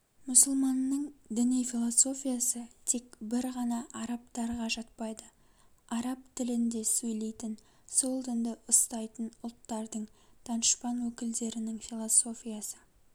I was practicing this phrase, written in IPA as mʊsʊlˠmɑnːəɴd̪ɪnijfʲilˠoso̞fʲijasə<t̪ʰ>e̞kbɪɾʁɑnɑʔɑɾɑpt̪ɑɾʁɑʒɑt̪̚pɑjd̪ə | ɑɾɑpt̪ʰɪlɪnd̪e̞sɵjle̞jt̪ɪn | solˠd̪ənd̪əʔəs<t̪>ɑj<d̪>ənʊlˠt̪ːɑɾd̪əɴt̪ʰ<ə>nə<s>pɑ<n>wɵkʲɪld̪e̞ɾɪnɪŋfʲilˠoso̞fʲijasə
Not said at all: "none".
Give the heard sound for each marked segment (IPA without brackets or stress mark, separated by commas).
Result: t̪ʰ, t̪, t̪, ɑ, ʃ, n